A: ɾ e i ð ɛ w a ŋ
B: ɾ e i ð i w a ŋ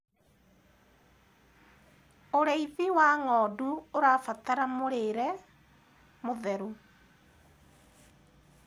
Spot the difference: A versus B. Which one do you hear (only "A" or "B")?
B